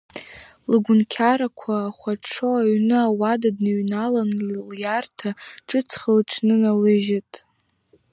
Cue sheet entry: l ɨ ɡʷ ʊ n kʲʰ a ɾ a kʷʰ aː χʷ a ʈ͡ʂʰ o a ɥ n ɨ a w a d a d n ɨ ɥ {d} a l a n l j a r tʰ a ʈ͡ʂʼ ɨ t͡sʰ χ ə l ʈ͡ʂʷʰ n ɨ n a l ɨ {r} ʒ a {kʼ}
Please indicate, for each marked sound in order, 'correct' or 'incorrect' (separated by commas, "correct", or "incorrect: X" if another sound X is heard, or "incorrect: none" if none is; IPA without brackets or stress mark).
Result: incorrect: n, incorrect: none, incorrect: tʼ